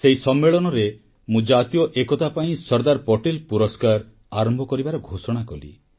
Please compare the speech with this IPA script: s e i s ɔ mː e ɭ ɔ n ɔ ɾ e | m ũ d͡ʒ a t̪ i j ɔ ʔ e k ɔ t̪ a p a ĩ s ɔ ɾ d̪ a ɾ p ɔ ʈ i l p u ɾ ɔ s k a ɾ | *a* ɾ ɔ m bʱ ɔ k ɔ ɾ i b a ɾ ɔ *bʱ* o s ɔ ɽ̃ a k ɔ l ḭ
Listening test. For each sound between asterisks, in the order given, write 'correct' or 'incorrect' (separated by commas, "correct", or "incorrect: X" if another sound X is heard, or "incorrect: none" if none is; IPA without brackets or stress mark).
correct, incorrect: ɡʱ